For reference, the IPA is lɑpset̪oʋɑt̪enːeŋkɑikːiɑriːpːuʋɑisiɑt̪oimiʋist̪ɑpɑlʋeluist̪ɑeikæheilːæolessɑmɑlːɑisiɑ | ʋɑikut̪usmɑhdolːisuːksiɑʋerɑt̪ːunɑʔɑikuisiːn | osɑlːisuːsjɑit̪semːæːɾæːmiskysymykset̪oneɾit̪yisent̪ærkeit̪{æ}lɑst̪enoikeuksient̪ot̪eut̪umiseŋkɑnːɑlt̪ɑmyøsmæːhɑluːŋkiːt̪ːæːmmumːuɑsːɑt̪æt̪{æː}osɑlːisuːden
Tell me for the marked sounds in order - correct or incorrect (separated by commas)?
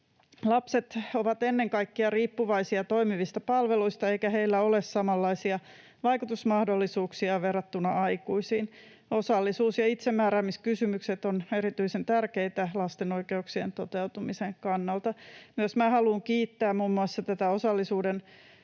correct, incorrect